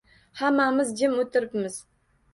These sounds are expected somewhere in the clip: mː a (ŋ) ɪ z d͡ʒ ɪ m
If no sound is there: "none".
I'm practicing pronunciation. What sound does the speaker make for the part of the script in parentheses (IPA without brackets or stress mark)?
m